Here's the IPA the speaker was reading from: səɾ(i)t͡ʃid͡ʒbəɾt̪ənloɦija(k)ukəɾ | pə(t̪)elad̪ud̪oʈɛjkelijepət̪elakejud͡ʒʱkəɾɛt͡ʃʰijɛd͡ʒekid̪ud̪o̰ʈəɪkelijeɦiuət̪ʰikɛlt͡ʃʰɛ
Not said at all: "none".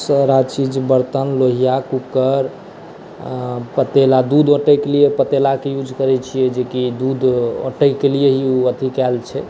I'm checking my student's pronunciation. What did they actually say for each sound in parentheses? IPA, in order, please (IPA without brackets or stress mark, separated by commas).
a, k, t̪